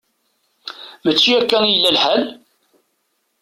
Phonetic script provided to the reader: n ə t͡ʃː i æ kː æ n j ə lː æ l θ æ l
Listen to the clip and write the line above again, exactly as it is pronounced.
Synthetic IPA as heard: m ə t͡ʃː i æ kː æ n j ə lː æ l ħ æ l